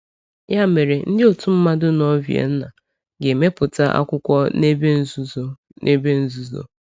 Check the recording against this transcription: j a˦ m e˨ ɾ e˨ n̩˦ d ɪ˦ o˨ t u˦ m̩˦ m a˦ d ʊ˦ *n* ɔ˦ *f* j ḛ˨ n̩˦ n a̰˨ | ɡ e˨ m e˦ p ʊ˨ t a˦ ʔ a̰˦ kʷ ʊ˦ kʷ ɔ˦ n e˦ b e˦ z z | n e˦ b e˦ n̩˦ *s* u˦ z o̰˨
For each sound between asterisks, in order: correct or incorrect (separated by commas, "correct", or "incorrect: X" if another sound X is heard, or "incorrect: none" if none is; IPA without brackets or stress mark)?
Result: correct, incorrect: v, incorrect: z